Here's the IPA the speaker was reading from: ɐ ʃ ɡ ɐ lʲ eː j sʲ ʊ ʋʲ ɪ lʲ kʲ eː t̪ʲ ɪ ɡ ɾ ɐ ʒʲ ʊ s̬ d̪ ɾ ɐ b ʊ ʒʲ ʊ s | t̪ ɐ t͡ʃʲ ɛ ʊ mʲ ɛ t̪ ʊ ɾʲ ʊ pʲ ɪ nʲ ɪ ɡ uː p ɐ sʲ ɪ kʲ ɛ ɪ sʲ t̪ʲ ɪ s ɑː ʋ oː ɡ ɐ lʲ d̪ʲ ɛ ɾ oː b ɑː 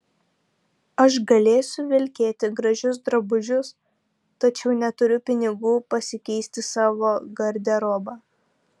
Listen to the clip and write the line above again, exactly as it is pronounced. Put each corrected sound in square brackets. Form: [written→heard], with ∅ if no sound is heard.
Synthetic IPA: ɐ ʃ ɡ ɐ lʲ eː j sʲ ʊ ʋʲ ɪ lʲ kʲ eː t̪ʲ ɪ ɡ ɾ ɐ ʒʲ ʊ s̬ d̪ ɾ ɐ b ʊ ʒʲ ʊ s | t̪ ɐ t͡ʃʲ ɛ ʊ [mʲ→nʲ] ɛ t̪ ʊ ɾʲ ʊ pʲ ɪ nʲ ɪ ɡ uː p ɐ sʲ ɪ kʲ ɛ ɪ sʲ t̪ʲ ɪ s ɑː ʋ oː ɡ ɐ [lʲ→ɾʲ] d̪ʲ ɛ ɾ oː b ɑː